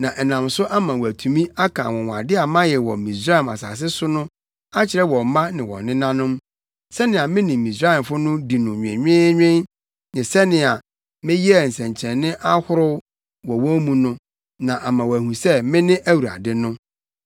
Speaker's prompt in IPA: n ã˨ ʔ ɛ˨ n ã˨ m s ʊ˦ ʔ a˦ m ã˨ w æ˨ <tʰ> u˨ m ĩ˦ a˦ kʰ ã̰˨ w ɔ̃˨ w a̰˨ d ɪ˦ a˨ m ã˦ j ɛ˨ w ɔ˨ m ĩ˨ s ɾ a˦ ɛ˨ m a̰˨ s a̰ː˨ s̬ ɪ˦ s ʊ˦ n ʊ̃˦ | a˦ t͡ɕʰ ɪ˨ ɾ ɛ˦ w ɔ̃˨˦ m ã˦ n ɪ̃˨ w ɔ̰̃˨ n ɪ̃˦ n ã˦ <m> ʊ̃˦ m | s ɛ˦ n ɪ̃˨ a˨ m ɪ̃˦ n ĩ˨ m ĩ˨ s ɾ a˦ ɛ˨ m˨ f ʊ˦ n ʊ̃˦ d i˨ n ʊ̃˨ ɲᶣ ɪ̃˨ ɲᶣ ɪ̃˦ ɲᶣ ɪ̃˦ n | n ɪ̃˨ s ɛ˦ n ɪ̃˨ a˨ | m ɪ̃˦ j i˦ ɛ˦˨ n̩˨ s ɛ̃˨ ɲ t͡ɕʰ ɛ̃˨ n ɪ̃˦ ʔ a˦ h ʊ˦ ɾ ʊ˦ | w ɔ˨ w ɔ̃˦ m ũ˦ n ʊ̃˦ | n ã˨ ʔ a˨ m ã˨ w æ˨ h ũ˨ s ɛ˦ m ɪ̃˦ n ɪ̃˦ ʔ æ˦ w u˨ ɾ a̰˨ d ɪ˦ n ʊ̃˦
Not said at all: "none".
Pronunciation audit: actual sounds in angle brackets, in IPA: tʰ, n

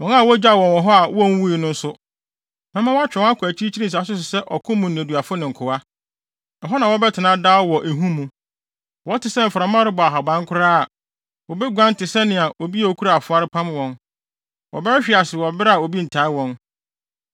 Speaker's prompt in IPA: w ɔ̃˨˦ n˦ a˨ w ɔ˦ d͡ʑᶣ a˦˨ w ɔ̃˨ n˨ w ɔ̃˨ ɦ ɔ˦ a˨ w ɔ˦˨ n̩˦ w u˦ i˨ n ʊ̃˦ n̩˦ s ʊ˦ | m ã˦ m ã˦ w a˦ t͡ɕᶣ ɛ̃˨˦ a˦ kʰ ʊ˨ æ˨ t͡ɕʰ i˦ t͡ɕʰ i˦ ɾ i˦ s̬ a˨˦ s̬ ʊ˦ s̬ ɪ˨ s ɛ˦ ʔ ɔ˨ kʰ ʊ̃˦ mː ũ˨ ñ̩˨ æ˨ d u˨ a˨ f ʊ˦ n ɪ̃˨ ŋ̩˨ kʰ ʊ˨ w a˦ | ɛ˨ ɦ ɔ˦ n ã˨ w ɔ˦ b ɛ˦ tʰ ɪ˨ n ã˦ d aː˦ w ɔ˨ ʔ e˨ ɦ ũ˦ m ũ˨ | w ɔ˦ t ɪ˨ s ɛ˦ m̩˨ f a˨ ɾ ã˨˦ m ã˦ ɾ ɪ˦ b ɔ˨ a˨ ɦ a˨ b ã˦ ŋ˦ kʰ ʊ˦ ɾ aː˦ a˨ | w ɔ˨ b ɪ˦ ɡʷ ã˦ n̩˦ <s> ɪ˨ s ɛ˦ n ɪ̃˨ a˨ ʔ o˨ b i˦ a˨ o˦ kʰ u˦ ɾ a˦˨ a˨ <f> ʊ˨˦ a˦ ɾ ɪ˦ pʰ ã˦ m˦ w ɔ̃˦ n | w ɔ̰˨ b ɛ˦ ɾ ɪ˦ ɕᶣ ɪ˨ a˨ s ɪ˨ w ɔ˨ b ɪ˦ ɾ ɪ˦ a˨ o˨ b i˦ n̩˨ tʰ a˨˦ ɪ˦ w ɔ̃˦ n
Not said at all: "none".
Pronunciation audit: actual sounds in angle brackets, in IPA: t, f

